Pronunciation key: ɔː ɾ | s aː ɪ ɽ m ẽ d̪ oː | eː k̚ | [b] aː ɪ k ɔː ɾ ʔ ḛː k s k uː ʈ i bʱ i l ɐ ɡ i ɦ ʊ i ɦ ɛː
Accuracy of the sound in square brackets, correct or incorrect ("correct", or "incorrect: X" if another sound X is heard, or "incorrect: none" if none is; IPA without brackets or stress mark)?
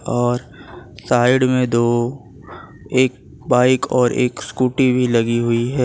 correct